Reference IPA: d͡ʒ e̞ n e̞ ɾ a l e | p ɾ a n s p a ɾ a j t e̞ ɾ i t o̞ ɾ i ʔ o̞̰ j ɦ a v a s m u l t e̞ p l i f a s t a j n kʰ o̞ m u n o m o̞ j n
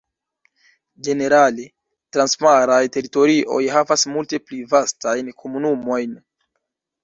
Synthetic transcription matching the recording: d͡ʒ e̞ n e̞ ɾ a l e | t ɾ a n s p a ɾ a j t e̞ ɾ i t o̞ ɾ i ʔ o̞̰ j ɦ a v a s m u l t e̞ p l i v a s t a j n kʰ o̞ m u n u m o̞ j n